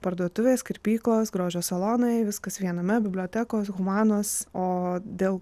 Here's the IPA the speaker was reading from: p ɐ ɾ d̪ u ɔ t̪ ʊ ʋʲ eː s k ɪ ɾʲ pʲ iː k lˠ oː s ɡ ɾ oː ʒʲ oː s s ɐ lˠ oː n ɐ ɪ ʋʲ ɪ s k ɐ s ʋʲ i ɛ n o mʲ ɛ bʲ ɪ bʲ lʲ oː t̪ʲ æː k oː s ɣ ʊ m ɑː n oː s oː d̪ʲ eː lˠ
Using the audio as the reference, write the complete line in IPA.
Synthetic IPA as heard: p ɐ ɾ d̪ u ɔ t̪ ʊ ʋʲ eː s k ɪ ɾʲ pʲ iː k lˠ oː s ɡ ɾ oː ʒʲ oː s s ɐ lˠ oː n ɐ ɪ ʋʲ ɪ s k ɐ s ʋʲ i ɛ n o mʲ ɛ bʲ ɪ bʲ lʲ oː t̪ʲ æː k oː s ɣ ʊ m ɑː n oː s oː d̪ʲ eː lˠ